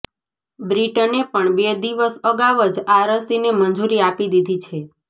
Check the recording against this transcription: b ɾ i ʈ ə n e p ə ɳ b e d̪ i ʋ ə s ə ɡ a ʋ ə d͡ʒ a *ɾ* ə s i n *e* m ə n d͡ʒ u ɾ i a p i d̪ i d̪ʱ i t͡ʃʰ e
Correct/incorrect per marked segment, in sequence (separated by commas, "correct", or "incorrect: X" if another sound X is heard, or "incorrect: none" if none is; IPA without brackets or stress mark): correct, correct